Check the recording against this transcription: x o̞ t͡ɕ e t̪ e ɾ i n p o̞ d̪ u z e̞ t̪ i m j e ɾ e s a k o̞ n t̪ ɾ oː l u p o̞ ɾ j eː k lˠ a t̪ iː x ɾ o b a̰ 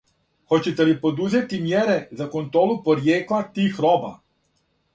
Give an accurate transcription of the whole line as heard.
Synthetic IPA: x o̞ t͡ɕ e t̪ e l i p o̞ d̪ u z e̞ t̪ i m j e ɾ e z a k o̞ n t̪ ɾ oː l u p o̞ ɾ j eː k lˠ a t̪ iː x ɾ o b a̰